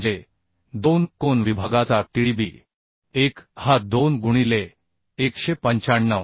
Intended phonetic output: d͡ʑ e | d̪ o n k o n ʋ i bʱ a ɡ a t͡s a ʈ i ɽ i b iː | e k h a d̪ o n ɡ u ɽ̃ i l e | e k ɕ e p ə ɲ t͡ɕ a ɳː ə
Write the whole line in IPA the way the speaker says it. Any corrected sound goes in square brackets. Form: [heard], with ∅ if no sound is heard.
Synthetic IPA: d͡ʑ e | d̪ o n k o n ʋ i bʱ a ɡ a t͡s a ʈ i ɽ i b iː | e k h a d̪ o n ɡ u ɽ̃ i l e | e k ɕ e p ə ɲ t͡ɕ a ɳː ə